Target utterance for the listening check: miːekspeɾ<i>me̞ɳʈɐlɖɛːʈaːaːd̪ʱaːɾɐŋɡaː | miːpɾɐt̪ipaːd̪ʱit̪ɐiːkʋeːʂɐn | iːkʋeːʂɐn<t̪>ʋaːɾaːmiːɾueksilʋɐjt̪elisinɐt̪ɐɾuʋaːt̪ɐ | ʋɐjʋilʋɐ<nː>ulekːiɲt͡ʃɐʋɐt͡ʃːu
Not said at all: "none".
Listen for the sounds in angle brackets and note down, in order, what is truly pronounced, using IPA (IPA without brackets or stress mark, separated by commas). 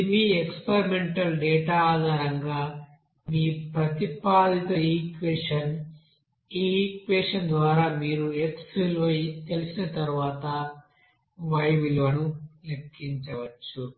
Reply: i, d̪, n